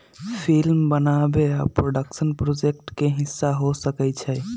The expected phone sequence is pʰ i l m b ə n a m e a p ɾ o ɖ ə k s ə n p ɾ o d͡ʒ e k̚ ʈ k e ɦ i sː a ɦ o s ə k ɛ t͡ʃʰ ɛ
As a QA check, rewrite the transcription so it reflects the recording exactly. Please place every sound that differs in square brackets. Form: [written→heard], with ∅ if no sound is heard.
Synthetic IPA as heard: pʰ i l m b ə n a [m→b] e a p ɾ o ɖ ə k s ə n p ɾ o d͡ʒ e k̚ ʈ k e ɦ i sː a ɦ o s ə k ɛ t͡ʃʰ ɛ